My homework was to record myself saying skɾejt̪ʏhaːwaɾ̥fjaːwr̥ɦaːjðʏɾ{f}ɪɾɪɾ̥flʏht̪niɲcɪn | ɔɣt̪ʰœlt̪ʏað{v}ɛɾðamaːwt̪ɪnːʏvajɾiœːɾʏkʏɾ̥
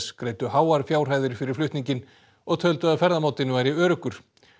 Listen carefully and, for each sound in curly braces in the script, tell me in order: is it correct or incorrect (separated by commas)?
correct, incorrect